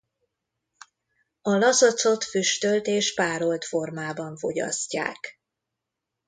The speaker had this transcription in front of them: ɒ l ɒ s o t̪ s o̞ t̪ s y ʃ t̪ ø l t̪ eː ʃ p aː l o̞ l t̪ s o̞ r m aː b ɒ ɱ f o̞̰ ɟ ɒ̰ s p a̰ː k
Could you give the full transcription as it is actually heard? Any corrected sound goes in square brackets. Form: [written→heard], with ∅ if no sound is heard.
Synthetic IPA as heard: ɒ l ɒ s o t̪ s o̞ t̪ [s→f] y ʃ t̪ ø l t̪ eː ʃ p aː [l→ɾ] o̞ l t̪ [s→f] o̞ r m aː b ɒ ɱ f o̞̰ ɟ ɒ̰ s [p→c] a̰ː k